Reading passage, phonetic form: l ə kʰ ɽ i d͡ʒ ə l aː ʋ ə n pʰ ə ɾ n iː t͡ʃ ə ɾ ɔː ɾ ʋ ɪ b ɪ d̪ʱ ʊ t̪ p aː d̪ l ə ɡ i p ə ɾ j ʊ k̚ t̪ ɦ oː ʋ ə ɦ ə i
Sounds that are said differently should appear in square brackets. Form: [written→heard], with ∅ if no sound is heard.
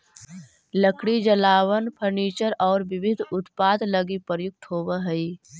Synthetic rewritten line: l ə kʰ ɽ i d͡ʒ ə l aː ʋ ə n pʰ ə ɾ n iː t͡ʃ ə ɾ ɔː ɾ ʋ ɪ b ɪ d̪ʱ ʊ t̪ p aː d̪ l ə ɡ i p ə ɾ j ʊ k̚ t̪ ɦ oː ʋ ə ɦ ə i